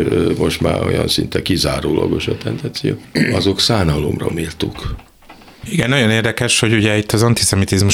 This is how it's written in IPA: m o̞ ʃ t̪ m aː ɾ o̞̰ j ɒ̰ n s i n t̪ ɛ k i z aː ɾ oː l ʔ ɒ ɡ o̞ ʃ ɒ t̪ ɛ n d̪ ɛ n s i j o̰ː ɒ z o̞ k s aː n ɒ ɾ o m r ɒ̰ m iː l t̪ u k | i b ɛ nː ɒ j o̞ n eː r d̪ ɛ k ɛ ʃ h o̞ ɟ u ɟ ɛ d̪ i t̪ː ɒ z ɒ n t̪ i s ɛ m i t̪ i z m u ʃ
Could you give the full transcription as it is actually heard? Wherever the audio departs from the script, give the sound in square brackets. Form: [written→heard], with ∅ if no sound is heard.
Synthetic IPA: m o̞ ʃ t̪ m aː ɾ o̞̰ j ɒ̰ n s i n t̪ ɛ k i z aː ɾ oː l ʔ ɒ ɡ o̞ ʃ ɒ t̪ ɛ n d̪ ɛ n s i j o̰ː ɒ z o̞ k s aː n ɒ [ɾ→l] o m r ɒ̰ m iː l t̪ u k | i [b→ɡ] ɛ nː ɒ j o̞ n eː r d̪ ɛ k ɛ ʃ h o̞ ɟ u ɟ ɛ [d̪→∅] i t̪ː ɒ z ɒ n t̪ i s ɛ m i t̪ i z m u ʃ